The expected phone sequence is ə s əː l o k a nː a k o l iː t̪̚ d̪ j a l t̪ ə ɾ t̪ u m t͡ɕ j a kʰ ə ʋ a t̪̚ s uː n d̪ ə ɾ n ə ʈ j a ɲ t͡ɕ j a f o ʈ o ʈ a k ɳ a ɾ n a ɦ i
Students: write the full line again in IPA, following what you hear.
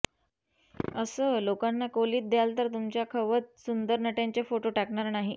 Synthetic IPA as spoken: ə s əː l o k a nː a k o l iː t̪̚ d̪ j a l t̪ ə ɾ t̪ u m t͡ɕ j a kʰ ə ʋ ə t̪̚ s u n d̪ ə ɾ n ə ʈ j a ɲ t͡ɕ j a f o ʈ o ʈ a k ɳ a ɾ n a ɦ i